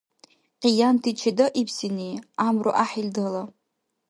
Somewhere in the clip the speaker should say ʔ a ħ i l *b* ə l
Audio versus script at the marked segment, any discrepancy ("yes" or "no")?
yes